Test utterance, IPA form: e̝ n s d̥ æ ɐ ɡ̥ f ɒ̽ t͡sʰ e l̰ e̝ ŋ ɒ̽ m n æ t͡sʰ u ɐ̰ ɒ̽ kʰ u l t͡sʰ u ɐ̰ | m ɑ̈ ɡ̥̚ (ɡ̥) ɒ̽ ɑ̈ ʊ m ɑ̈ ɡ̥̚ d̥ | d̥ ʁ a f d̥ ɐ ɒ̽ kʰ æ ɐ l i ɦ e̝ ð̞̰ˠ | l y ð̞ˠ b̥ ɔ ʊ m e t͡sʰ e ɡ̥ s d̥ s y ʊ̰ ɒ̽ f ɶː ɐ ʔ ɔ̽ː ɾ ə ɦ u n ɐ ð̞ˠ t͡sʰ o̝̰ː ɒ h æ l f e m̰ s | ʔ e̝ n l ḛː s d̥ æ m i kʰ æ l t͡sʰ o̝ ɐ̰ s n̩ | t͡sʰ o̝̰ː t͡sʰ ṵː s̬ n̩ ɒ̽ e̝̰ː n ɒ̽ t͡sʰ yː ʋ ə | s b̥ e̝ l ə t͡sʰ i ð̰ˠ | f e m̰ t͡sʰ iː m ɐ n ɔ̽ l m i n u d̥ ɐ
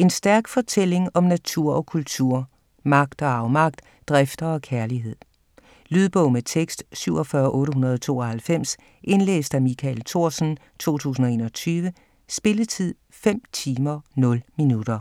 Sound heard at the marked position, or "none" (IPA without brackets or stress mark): d̥